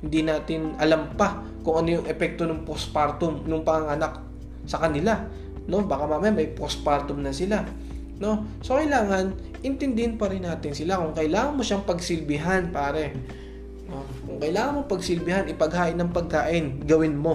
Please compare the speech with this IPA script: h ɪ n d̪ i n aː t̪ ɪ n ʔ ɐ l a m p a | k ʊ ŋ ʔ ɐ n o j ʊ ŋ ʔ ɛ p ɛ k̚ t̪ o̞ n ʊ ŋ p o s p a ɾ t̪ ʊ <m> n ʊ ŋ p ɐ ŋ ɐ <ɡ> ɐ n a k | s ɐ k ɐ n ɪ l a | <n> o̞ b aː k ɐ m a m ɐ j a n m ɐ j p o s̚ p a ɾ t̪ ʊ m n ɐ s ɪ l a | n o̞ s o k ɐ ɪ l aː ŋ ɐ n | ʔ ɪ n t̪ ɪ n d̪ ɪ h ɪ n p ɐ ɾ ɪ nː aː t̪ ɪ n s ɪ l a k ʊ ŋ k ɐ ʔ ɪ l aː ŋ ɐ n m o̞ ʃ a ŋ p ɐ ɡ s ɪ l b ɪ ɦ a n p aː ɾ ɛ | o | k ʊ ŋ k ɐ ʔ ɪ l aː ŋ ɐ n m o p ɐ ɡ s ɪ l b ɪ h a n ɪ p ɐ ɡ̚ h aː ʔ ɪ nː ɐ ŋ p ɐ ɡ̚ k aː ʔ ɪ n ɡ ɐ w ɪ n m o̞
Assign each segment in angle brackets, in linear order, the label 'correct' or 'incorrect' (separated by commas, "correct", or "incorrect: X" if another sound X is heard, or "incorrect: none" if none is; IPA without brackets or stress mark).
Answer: correct, incorrect: ŋ, correct